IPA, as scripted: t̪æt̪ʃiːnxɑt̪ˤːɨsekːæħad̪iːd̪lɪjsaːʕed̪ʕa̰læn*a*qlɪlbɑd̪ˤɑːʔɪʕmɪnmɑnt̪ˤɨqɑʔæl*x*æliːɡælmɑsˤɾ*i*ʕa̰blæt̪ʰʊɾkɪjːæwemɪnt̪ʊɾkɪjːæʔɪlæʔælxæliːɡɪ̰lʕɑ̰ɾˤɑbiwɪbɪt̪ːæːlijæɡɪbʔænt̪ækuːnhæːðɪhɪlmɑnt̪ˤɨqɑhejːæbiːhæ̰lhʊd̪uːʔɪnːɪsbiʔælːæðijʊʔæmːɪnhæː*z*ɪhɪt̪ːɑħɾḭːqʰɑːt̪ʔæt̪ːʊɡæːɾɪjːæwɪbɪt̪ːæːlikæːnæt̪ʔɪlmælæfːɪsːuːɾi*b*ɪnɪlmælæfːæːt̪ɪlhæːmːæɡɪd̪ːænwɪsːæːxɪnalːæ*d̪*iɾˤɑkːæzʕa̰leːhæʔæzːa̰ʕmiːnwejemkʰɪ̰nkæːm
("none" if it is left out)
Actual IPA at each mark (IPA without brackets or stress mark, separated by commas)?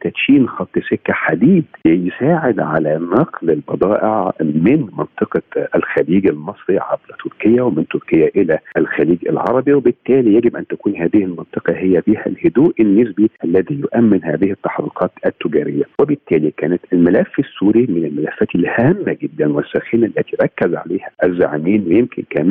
ɑ, x, i, ð, m, t̪